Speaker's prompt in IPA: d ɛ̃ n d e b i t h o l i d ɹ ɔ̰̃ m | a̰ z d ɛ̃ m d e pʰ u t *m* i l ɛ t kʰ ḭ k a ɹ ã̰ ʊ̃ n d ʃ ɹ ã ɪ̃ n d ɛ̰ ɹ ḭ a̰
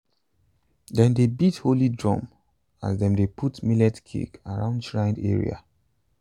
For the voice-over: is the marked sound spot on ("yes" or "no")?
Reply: yes